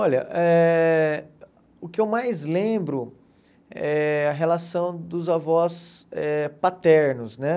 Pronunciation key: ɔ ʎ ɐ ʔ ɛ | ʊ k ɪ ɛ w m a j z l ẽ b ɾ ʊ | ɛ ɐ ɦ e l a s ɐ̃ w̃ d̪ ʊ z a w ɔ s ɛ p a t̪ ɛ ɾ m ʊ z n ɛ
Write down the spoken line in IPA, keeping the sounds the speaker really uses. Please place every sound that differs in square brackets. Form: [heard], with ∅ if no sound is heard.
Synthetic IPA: ɔ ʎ ɐ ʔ ɛ | ʊ k ɪ [e] w m a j z l ẽ b ɾ ʊ | ɛ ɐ ɦ e l a s ɐ̃ w̃ d̪ ʊ z a [v] ɔ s ɛ p a t̪ ɛ ɾ [n] ʊ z n ɛ